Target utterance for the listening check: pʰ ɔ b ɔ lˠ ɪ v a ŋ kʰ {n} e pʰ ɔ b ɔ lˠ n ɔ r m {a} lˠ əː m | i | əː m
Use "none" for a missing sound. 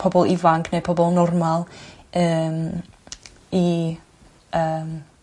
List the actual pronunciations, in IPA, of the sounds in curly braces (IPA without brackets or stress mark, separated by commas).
n, a